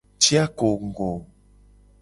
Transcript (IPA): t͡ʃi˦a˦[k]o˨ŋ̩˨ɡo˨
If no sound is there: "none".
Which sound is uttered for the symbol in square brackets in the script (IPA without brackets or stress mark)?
k